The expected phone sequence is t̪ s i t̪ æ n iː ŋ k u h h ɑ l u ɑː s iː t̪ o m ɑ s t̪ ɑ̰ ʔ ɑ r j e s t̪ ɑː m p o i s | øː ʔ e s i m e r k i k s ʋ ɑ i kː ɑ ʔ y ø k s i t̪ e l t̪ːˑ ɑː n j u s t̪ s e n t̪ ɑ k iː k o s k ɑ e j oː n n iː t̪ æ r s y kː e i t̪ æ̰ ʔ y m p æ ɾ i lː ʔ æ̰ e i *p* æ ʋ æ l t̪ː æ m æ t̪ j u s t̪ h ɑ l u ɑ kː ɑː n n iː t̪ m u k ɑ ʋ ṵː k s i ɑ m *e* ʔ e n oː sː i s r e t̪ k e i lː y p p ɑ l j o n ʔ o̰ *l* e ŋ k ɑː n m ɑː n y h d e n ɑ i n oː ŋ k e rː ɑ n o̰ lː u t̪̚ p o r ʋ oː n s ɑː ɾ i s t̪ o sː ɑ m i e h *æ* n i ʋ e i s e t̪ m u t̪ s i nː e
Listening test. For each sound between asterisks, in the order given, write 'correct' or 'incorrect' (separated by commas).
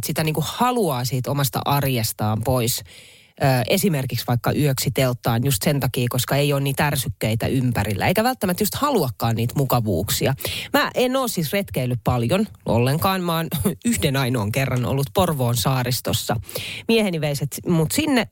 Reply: incorrect, incorrect, incorrect, incorrect